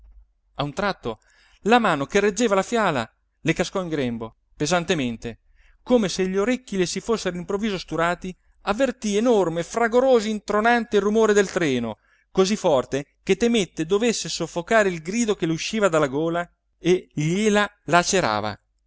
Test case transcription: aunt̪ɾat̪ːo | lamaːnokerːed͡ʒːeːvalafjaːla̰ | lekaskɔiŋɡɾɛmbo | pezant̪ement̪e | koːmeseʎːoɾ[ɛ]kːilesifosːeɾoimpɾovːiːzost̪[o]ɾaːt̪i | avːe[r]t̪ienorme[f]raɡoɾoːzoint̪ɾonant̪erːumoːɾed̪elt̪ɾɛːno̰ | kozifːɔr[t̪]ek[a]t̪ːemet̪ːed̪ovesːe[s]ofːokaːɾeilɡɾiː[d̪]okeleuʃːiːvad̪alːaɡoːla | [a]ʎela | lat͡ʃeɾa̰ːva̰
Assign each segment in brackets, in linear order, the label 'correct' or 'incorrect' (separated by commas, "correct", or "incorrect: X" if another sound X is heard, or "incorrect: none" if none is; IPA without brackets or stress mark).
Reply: incorrect: e, incorrect: u, correct, correct, correct, incorrect: e, correct, correct, incorrect: e